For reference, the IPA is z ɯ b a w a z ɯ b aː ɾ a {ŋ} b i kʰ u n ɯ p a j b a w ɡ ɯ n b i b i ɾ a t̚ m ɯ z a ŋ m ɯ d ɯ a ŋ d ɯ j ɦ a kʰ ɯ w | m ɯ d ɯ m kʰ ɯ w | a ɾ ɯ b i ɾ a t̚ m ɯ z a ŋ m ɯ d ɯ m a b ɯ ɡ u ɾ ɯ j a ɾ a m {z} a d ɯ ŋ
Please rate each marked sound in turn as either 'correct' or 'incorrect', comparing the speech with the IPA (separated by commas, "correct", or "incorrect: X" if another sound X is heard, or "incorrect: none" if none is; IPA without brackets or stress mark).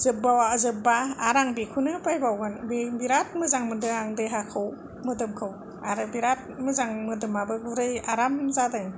correct, correct